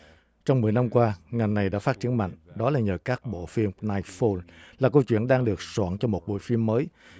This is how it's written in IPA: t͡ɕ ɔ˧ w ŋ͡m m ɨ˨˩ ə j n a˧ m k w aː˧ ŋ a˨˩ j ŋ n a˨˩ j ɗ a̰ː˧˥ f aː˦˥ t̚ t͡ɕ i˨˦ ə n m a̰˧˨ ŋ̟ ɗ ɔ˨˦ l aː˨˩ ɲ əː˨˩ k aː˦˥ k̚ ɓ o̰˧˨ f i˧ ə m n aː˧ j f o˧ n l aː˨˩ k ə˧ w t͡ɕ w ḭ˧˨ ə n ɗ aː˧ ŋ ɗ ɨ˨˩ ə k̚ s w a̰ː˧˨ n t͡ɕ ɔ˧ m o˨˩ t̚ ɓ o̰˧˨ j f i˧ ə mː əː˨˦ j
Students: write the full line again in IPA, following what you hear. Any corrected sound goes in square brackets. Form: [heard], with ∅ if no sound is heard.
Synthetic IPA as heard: t͡ɕ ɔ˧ w ŋ͡m m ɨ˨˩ ə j n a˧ m k w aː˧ ŋ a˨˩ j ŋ n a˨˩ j ɗ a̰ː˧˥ f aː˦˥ t̚ t͡ɕ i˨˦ ə n m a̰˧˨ ŋ̟ ɗ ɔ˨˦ l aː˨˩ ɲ əː˨˩ k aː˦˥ k̚ ɓ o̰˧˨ f i˧ ə m n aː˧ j f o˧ n l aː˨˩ k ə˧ w t͡ɕ w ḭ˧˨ ə n ɗ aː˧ ŋ ɗ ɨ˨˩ ə k̚ s w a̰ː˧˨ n t͡ɕ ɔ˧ m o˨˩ t̚ ɓ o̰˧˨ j f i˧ ə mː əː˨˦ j